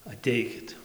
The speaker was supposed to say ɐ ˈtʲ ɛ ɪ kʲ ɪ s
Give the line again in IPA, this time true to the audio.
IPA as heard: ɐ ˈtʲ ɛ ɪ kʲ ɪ t